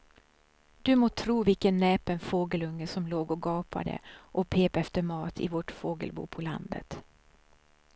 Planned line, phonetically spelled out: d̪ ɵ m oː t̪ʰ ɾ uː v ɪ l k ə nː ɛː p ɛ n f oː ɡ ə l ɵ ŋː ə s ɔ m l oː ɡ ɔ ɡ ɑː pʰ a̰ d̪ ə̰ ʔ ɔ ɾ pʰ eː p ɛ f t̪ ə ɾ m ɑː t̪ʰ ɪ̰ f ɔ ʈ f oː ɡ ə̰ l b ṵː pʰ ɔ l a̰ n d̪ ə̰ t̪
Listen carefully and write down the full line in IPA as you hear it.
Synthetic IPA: d̪ ɵ m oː t̪ʰ ɾ uː v ɪ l k ə nː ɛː p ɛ n f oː ɡ ə l ɵ ŋː ə s ɔ m l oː ɡ ɔ ɡ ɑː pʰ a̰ d̪ ə̰ ʔ ɔ pʰ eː p ɛ f t̪ ə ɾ m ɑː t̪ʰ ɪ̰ v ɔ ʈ f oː ɡ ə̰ l b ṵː pʰ ɔ l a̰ n d̪ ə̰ t̪